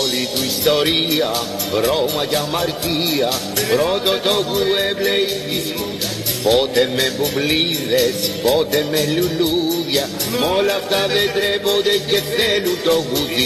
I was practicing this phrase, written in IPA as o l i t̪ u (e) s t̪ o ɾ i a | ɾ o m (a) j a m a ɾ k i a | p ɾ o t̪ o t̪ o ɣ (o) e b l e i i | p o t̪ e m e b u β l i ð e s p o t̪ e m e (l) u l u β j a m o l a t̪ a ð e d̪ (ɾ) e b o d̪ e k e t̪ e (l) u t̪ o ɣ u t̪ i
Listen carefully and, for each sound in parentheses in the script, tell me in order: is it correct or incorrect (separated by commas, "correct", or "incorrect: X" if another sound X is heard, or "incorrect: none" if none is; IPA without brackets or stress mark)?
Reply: incorrect: i, correct, incorrect: u, correct, correct, correct